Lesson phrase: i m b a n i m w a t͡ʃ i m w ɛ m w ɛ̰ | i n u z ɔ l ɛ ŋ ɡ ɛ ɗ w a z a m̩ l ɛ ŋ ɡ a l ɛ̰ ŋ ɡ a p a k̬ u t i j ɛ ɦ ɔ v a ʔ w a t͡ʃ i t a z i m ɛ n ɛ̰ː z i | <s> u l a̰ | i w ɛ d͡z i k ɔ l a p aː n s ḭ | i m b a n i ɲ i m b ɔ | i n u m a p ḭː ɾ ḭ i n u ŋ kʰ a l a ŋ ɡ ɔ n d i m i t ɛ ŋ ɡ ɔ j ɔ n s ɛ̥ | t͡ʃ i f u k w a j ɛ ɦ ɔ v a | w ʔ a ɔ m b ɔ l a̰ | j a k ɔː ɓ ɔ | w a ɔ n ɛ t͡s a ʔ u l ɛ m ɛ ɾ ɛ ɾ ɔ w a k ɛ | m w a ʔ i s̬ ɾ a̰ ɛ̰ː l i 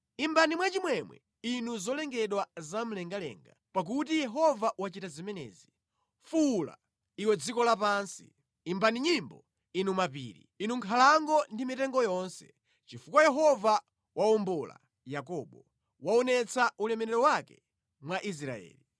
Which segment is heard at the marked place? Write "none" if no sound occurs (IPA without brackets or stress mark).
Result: f